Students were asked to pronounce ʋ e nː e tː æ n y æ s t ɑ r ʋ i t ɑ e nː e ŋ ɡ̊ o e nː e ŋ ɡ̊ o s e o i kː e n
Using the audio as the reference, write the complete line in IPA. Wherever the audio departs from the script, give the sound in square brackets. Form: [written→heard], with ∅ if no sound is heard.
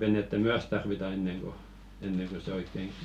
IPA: ʋ e [nː→n] e tː æ [n→m] y æ s t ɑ r ʋ i t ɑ e nː e ŋ ɡ̊ o e nː e ŋ ɡ̊ o s e o i kː e [n→ŋ]